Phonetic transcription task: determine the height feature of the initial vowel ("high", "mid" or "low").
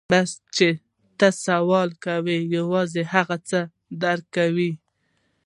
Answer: low